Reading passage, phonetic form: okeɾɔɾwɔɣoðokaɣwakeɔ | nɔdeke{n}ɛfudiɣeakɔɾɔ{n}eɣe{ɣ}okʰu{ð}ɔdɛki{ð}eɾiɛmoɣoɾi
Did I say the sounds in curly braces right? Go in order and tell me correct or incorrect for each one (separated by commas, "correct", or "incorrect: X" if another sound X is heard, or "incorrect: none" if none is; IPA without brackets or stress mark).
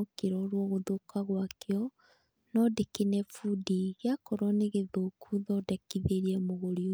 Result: correct, correct, incorrect: ð, correct, correct